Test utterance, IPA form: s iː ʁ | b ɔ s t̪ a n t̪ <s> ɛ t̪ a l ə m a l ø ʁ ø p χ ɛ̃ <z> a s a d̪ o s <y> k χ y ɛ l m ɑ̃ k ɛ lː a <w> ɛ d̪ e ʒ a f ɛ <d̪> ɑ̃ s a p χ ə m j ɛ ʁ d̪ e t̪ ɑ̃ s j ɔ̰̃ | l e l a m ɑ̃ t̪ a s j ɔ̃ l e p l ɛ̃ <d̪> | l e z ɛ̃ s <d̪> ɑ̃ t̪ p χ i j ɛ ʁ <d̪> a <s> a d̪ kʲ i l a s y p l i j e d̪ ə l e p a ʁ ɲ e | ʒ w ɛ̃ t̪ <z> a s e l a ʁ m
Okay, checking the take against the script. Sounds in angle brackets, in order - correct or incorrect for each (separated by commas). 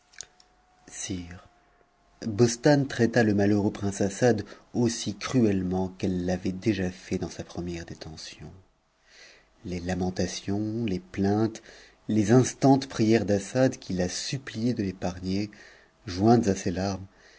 incorrect, incorrect, incorrect, incorrect, correct, incorrect, incorrect, correct, correct, correct